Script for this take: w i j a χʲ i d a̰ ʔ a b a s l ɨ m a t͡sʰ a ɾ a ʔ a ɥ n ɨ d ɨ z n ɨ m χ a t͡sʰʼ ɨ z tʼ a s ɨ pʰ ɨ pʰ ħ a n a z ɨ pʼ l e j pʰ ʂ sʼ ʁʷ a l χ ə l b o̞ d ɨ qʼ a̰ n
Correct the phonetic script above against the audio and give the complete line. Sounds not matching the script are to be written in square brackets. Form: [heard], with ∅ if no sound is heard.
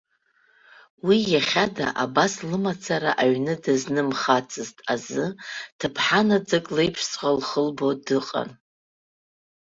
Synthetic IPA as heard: w i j a χʲ [a] d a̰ ʔ a b a s l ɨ m a t͡sʰ a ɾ a ʔ a ɥ n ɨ d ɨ z n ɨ m χ a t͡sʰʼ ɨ z tʼ a [z] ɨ [tʰ] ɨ pʰ ħ a n a [d͡z] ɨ [kʼ] l e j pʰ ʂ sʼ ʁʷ a l χ ə l b o̞ d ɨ qʼ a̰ n